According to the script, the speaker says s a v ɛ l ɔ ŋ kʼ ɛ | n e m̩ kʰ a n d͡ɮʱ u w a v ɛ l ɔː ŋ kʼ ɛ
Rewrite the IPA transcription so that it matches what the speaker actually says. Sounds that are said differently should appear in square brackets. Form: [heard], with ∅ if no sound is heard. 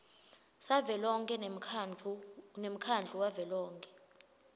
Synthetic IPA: s a v ɛ l ɔ ŋ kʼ ɛ | n e m̩ kʰ a n d͡ɮʱ u w a v ɛ l ɔː ŋ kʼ ɛ